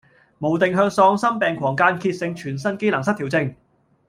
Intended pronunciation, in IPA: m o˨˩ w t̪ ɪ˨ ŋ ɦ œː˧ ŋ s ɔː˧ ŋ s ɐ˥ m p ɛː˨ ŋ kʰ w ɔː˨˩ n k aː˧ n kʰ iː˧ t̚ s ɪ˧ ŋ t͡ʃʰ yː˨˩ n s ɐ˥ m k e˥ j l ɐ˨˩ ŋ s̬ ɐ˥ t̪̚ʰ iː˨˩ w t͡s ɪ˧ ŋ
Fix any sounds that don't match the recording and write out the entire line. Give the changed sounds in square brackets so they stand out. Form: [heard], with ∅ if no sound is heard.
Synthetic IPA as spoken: m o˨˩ w t̪ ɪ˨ ŋ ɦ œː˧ ŋ s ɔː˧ ŋ s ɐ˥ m p ɛː˨ ŋ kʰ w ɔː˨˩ [ŋ] k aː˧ n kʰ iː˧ t̚ s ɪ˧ ŋ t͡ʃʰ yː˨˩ n s ɐ˥ [n] k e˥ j l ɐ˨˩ ŋ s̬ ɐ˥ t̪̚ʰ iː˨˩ w t͡s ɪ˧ ŋ